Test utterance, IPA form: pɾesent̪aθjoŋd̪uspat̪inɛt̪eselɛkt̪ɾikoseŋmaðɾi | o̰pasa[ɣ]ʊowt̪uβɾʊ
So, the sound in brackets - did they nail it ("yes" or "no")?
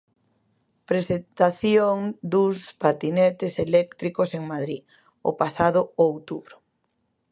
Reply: no